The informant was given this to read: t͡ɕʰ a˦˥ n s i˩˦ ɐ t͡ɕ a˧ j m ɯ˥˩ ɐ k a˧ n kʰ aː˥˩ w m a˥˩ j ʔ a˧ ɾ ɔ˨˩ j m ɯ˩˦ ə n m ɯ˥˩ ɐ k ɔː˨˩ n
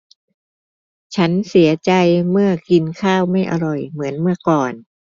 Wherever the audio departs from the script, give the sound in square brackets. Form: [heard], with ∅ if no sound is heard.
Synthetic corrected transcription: t͡ɕʰ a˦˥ n s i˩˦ ɐ t͡ɕ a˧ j m ɯ˥˩ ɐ k [i˧] n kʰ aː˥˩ w m a˥˩ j ʔ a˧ ɾ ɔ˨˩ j m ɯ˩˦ ə n m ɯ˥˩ ɐ k ɔː˨˩ n